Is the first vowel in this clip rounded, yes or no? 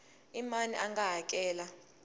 no